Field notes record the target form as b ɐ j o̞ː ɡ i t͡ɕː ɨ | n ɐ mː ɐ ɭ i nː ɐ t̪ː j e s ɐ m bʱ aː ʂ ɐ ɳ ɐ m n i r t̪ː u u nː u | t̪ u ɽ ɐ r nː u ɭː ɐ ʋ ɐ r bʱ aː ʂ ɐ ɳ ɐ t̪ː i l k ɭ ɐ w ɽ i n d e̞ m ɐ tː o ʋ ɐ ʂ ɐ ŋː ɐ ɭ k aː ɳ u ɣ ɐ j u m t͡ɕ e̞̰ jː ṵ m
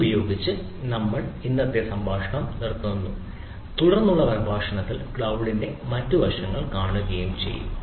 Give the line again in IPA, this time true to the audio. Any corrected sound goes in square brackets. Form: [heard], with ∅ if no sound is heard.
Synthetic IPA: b ɐ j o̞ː ɡ i t͡ɕː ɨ | n ɐ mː ɐ ɭ i nː ɐ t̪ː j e s ɐ m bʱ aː ʂ ɐ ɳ ɐ m n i r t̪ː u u nː u | t̪ u ɽ ɐ r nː u ɭː ɐ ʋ ɐ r bʱ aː ʂ ɐ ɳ ɐ t̪ː i l k ɭ ɐ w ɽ i n d e̞ m ɐ tː [u] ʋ ɐ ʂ ɐ ŋː ɐ ɭ k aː ɳ u ɣ ɐ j u m t͡ɕ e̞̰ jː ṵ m